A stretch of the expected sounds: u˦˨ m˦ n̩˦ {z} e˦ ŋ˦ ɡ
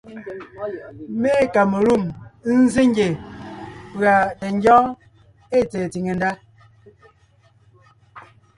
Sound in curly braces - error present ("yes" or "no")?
no